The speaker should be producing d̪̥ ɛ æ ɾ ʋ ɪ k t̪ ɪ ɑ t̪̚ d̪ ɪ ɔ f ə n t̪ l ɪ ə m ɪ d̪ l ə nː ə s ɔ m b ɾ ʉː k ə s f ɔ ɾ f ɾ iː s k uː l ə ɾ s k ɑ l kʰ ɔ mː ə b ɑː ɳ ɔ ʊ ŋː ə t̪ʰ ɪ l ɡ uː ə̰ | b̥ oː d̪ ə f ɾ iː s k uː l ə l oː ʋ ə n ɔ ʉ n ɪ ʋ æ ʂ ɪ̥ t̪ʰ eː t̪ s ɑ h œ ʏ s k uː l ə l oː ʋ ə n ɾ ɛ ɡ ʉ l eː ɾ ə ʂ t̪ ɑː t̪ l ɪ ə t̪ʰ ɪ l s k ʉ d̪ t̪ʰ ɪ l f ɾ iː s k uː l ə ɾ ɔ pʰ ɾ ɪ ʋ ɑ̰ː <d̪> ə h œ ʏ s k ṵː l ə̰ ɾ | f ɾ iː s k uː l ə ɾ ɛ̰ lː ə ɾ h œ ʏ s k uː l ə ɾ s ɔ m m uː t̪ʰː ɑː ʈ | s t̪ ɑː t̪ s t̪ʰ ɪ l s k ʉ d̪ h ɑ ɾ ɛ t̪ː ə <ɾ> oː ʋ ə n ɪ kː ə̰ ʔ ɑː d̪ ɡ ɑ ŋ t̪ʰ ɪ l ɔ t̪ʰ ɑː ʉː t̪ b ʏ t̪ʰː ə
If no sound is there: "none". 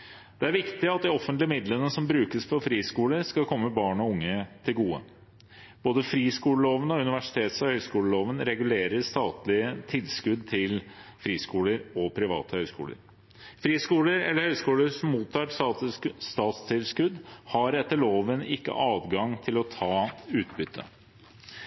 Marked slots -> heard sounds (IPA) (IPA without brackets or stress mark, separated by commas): t̪, ɭ